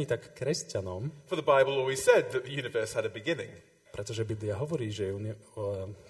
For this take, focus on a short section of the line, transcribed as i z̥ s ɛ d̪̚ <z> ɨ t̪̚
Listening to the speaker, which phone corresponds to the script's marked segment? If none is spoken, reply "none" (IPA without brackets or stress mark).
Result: ð